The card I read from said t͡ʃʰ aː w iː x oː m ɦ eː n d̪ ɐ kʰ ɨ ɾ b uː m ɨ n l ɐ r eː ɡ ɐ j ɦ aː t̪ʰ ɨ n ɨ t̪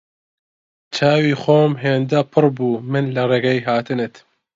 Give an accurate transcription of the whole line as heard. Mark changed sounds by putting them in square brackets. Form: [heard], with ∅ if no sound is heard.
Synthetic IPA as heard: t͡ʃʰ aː w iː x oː m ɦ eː n d̪ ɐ [pʰ] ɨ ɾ b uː m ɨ n l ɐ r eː ɡ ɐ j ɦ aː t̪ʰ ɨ n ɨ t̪